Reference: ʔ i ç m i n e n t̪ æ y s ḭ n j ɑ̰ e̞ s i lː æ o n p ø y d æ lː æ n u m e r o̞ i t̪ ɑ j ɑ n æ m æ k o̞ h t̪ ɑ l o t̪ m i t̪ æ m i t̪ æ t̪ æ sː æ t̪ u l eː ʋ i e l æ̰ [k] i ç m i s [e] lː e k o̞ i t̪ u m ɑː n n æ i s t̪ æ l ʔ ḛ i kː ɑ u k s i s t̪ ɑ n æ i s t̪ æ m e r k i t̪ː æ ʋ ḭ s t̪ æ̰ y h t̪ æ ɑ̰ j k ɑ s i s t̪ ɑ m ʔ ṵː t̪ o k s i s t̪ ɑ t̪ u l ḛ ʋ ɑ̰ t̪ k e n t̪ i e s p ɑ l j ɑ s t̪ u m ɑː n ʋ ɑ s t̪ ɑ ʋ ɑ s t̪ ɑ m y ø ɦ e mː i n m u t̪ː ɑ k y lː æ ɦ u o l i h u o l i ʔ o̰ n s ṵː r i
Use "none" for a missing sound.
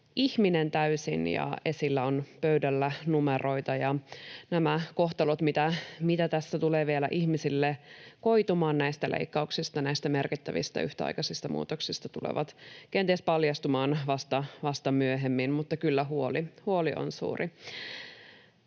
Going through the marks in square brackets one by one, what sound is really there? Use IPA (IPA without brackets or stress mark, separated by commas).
ʔ, i